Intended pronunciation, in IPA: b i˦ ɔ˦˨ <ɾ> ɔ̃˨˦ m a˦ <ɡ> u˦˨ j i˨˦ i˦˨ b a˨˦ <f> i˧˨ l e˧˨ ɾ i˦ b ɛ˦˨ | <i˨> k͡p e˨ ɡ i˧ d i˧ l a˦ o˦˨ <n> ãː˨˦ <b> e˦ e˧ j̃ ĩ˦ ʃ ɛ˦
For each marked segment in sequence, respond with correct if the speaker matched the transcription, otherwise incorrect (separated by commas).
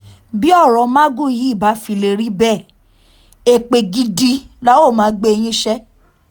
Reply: correct, correct, correct, incorrect, incorrect, incorrect